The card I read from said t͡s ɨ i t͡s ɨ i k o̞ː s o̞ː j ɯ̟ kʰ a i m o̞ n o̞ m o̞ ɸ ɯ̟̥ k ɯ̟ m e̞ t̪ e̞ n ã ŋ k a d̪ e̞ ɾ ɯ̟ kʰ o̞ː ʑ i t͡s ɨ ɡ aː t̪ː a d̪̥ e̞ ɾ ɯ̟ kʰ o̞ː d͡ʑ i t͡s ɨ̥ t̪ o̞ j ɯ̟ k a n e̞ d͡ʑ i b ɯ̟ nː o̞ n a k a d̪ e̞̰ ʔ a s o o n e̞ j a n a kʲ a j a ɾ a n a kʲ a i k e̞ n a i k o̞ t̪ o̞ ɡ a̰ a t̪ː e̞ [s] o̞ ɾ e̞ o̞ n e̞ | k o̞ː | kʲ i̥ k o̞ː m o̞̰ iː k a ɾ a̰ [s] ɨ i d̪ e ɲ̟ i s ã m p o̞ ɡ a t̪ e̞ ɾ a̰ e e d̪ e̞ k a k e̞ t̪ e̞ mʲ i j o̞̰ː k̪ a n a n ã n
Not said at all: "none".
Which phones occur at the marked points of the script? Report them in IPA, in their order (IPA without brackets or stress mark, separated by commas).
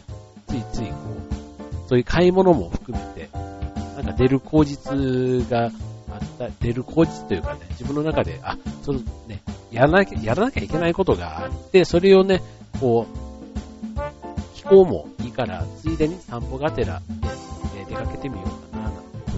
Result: s, t͡s